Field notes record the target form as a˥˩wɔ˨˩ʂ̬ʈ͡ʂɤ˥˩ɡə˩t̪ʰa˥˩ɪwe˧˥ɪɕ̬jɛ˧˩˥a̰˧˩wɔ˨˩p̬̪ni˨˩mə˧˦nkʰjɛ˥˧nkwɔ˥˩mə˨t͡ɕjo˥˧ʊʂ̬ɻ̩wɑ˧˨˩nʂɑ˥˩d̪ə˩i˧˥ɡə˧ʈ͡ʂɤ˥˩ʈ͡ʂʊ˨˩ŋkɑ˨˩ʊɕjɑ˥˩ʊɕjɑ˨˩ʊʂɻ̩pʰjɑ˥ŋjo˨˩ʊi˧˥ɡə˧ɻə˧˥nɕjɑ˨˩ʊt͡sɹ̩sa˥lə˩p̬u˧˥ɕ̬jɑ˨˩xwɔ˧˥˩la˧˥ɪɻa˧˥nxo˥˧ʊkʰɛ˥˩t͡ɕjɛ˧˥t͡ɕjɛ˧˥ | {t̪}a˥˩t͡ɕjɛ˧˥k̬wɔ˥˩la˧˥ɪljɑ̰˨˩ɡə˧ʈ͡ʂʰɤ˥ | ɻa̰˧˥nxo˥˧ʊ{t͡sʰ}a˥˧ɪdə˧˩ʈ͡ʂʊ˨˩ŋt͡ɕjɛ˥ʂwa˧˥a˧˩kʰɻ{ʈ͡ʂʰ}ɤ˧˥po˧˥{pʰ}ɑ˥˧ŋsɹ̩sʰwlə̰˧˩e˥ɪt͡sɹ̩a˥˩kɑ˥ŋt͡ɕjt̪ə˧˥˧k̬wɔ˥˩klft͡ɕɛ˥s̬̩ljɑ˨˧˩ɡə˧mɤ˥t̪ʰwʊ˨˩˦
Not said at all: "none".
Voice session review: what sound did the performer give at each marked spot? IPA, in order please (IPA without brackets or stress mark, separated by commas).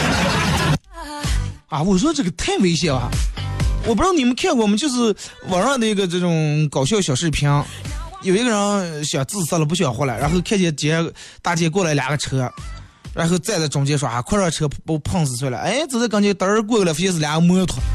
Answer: t̪, t͡s, ʈ͡ʂʰ, pʰ